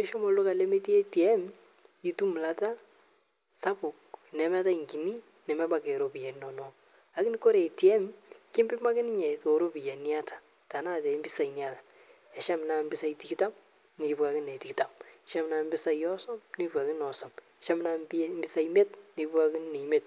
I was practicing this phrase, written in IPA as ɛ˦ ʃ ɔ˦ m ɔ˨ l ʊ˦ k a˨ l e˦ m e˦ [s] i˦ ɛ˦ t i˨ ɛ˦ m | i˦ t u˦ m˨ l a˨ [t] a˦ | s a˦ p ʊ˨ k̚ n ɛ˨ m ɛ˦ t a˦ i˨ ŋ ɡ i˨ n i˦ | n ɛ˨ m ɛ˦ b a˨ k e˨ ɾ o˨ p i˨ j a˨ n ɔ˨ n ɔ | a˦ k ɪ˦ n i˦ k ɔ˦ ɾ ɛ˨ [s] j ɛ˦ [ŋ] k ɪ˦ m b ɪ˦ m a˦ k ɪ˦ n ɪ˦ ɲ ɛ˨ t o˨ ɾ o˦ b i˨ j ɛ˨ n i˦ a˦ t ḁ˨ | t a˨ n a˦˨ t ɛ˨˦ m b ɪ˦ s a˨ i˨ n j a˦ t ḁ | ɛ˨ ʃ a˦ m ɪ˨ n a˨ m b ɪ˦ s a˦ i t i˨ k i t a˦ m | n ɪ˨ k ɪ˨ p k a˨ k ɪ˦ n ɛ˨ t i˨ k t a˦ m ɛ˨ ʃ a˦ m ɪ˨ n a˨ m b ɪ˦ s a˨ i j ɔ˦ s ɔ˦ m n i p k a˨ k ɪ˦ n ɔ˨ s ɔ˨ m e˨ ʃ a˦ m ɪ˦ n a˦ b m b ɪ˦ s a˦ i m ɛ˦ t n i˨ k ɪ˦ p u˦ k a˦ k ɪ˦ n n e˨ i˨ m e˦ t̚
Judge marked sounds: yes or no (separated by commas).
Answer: no, yes, no, no